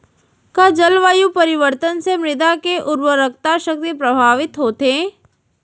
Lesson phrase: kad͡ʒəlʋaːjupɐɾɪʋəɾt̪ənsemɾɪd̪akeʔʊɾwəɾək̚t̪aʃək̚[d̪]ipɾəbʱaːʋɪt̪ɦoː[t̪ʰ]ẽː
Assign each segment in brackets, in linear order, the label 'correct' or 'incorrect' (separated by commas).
incorrect, incorrect